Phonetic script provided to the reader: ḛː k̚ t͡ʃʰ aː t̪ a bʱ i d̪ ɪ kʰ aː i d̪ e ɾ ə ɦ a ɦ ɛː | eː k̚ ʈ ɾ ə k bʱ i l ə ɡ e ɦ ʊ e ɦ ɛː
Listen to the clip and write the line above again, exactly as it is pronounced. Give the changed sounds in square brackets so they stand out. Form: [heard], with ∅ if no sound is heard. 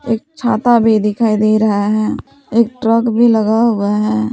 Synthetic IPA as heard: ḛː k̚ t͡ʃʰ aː t̪ a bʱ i d̪ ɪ kʰ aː i d̪ e ɾ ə ɦ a ɦ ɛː | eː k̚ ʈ ɾ ə k bʱ i l ə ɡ [a] ɦ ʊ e ɦ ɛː